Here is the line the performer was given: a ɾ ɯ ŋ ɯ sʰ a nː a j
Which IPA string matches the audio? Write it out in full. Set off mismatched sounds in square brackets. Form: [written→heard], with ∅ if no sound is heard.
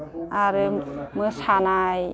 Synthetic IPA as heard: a ɾ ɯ [ŋ→m] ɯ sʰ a [nː→n] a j